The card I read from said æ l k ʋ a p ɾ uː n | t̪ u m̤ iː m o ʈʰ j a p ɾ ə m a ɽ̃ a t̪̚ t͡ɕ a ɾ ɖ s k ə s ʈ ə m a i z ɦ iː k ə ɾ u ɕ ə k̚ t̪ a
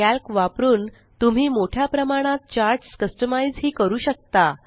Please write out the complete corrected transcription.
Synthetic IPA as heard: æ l k ʋ a p ɾ uː n | t̪ u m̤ iː m o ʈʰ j a p ɾ ə m a ɽ̃ a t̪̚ t͡ɕ a ɾ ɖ s k ə s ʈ ə m a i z ɦ iː k ə ɾ uː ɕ ə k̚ t̪ a